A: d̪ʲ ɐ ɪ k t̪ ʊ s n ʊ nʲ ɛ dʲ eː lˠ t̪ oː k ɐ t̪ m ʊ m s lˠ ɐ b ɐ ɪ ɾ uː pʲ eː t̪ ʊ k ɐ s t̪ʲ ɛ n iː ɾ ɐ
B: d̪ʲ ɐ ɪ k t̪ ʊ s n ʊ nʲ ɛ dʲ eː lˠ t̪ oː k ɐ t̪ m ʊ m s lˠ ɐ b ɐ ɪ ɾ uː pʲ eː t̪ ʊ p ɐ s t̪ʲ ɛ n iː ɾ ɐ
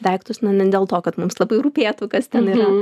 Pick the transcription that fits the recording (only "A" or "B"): A